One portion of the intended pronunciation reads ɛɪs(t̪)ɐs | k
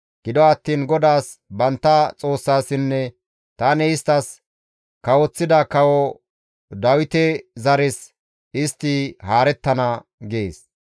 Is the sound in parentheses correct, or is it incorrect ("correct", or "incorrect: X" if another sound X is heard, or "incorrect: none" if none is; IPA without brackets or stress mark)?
correct